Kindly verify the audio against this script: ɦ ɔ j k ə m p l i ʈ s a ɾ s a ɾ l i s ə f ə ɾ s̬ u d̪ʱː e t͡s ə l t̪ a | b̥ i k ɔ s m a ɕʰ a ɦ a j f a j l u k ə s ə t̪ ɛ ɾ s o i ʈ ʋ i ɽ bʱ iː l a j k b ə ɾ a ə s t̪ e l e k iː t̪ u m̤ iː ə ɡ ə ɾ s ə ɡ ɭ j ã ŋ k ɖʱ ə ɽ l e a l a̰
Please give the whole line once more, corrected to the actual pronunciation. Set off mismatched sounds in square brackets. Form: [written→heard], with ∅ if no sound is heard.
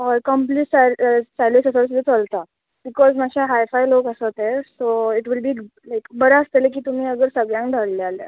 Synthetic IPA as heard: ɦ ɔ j k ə m p l i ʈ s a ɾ s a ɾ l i s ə [f→s] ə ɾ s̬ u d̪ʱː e t͡s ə l t̪ a | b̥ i k ɔ [s→z] m a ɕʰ a ɦ a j f a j l [u→o] k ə s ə t̪ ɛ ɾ s o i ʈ ʋ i [ɽ→l] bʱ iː l a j k b ə ɾ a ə s t̪ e l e k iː t̪ u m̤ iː ə ɡ ə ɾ s ə ɡ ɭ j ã ŋ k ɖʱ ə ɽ l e a l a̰